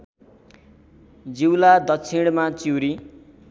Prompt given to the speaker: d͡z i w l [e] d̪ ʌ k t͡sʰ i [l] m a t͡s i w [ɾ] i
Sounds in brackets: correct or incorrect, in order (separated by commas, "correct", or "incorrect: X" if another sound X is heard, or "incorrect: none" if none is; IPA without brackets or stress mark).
incorrect: a, incorrect: ɽ, correct